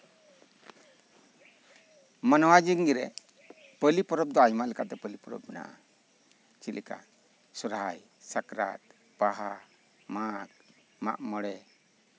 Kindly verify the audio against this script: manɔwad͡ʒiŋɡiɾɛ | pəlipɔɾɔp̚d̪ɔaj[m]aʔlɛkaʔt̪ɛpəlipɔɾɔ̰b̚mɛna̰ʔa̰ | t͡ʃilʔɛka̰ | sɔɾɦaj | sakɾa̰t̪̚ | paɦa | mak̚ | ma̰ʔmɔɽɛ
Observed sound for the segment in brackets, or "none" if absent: m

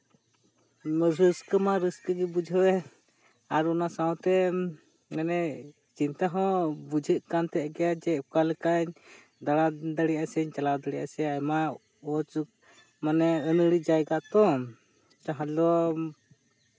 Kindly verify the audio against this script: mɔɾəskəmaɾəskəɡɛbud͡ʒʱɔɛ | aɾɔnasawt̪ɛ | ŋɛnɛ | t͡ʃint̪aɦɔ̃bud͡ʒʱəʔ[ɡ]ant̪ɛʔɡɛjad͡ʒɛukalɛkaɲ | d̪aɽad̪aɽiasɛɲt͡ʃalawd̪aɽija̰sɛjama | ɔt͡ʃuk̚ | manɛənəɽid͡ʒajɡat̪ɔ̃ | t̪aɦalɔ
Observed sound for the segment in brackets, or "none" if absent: k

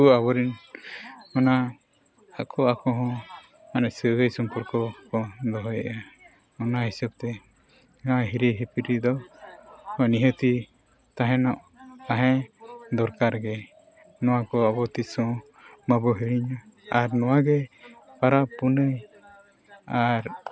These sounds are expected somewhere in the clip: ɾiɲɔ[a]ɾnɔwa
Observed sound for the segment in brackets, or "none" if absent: a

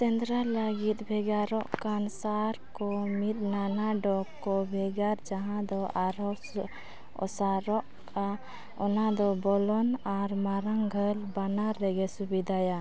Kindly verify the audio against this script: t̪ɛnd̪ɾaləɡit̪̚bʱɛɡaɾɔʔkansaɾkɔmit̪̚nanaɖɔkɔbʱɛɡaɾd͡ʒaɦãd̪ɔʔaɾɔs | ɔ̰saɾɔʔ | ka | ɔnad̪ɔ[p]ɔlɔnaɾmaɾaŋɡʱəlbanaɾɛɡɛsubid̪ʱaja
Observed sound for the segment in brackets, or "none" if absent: b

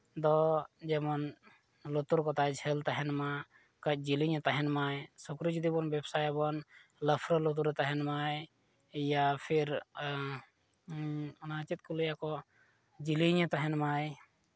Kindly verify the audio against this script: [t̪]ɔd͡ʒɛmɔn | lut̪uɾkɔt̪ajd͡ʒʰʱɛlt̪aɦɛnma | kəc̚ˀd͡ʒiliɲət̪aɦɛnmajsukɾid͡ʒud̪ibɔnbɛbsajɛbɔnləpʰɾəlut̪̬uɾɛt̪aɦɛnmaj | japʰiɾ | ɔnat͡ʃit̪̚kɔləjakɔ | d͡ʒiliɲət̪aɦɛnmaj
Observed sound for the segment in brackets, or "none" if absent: d̪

